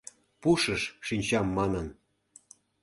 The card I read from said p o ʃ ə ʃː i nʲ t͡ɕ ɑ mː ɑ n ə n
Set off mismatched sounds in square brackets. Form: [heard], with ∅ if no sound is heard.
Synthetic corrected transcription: p [u] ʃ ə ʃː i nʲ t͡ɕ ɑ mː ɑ n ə n